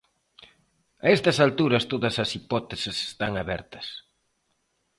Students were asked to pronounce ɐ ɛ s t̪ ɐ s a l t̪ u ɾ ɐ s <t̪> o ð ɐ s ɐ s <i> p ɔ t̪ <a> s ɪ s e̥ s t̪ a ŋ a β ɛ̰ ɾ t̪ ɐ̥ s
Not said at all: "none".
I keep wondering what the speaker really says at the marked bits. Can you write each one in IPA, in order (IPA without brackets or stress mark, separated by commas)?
t̪, i, e